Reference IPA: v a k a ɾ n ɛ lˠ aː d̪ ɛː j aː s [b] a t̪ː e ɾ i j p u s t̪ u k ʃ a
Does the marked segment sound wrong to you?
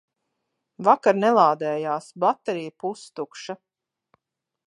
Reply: no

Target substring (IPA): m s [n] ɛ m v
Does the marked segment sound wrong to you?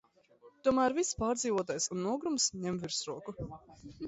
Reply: yes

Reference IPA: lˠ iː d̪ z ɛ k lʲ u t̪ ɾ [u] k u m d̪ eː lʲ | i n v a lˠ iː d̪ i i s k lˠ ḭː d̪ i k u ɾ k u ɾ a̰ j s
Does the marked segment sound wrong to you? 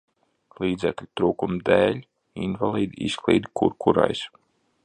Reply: yes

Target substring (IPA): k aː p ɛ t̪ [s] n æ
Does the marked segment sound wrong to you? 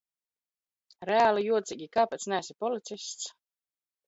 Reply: no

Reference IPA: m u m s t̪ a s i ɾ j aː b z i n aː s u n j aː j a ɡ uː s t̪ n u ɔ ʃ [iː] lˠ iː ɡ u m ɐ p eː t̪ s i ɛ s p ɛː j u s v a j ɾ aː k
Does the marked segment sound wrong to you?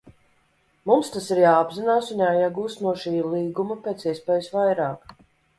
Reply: no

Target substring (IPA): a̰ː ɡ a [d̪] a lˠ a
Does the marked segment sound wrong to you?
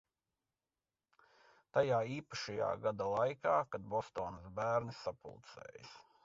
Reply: no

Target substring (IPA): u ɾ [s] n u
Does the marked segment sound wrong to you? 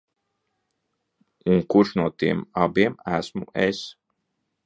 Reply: yes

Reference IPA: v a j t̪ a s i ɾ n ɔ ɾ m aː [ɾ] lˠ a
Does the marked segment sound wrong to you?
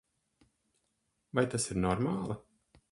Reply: yes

